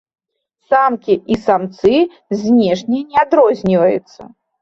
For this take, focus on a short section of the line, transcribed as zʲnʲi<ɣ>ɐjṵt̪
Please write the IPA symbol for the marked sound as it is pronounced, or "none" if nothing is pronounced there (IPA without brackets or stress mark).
v